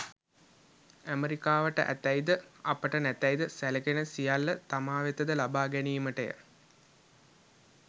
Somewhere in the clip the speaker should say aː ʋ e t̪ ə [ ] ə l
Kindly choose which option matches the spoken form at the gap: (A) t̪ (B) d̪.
B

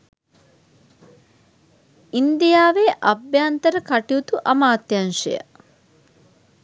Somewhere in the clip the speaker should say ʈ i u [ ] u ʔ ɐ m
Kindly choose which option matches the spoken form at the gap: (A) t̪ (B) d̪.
A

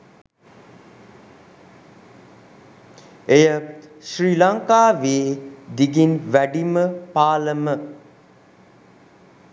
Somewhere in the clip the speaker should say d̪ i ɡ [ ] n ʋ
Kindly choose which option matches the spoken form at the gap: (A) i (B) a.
A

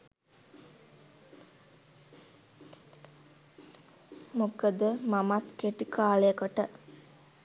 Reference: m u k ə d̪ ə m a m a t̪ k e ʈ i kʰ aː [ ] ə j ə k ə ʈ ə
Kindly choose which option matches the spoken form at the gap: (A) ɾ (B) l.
B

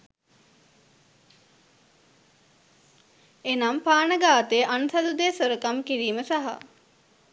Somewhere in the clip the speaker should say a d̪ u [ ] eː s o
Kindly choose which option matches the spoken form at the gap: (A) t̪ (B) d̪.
B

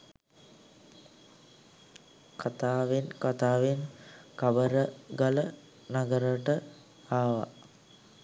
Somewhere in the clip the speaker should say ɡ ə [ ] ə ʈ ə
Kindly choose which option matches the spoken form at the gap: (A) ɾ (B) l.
A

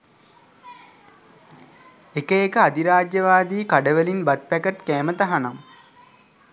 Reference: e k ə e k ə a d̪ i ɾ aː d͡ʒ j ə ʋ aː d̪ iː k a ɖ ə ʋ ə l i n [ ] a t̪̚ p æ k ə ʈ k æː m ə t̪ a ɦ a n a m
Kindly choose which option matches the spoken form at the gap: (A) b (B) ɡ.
A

